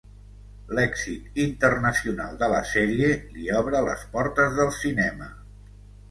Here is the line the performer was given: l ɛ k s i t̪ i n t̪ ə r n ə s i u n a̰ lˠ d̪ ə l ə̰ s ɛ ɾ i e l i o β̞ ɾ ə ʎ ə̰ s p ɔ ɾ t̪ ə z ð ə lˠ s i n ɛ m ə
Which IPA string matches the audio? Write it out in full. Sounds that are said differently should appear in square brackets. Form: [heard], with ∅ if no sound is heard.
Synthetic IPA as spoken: l ɛ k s i t̪ i n t̪ ə r n ə s i u n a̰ lˠ d̪ ə l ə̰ s ɛ ɾ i e l i [ɔ] β̞ ɾ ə [l] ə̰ s p ɔ ɾ t̪ ə z ð ə lˠ s i n ɛ m ə